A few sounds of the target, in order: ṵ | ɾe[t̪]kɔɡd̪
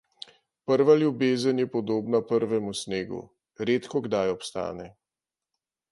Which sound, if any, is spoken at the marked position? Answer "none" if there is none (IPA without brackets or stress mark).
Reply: t̪